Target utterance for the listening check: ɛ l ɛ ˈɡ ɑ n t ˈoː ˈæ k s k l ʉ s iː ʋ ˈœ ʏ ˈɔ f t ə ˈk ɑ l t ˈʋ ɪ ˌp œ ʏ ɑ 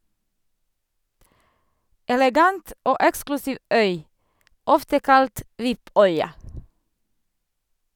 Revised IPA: ɛ l ɛ ˈɡ ɑ n t ˈoː ˈɛ k s k l ʉ s iː ʋ ˈœ ʏ ˈɔ f t ə ˈk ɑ l t ˈʋ ɪ ˌp œ ʏ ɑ